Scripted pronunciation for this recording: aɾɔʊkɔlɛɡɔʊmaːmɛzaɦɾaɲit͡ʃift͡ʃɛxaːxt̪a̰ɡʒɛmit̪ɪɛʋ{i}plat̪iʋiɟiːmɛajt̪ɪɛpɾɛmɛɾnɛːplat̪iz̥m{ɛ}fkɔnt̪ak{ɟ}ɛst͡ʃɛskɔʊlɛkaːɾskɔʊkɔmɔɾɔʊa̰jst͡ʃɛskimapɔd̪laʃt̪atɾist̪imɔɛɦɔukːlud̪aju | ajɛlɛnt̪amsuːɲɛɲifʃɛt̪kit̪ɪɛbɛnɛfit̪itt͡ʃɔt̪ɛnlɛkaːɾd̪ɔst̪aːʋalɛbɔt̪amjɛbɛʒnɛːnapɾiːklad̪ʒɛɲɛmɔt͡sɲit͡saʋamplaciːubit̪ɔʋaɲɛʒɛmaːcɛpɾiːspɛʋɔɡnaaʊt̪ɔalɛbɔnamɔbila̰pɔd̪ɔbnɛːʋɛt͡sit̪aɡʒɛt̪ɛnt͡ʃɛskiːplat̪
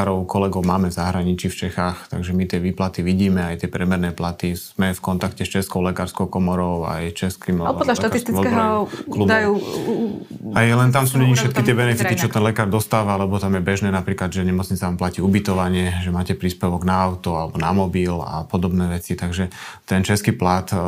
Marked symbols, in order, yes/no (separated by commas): no, yes, no